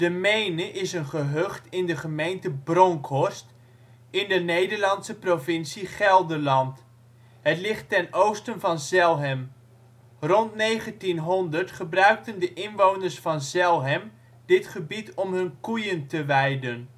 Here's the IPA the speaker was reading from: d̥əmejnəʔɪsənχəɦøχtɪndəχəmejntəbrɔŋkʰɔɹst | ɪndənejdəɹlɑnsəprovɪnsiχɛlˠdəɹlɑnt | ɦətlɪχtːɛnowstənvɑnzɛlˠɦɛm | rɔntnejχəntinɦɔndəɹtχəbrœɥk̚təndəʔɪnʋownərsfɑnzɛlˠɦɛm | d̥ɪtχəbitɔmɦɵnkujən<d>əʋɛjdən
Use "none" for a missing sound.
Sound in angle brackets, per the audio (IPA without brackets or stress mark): t